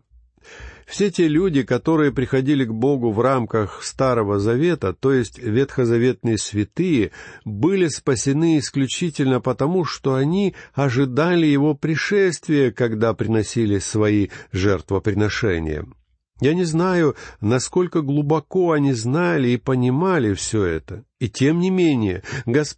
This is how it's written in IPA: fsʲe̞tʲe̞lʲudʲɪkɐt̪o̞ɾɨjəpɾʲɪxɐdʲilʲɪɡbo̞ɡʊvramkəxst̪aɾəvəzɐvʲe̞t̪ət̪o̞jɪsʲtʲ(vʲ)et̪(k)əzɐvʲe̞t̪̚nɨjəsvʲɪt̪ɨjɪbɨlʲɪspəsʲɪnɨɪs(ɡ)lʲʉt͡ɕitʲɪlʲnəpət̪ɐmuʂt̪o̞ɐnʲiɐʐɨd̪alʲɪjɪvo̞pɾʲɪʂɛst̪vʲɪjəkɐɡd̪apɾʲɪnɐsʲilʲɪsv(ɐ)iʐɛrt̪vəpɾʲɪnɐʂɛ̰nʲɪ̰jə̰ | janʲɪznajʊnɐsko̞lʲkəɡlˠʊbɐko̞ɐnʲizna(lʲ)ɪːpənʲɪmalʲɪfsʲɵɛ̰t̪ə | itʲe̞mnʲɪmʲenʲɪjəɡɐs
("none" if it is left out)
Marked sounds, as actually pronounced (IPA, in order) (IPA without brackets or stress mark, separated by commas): vʲ, x, k, ɐ, lʲ